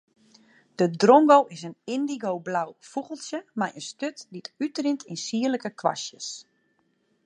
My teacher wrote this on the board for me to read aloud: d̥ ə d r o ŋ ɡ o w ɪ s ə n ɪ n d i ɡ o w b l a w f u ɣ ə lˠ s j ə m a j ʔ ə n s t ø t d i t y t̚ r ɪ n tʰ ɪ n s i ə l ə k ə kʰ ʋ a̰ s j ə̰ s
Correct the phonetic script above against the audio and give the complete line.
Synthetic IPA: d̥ ə d r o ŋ ɡ o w ɪ s ə n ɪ n d i ɡ o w b l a w f u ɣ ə lˠ s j ə m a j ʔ ə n s t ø t d i t y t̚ r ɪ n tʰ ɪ n s i ə l ə k ə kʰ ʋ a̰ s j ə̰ s